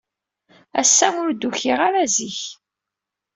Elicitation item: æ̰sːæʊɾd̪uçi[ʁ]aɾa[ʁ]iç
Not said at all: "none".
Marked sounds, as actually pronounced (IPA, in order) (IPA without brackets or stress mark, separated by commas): ʁ, z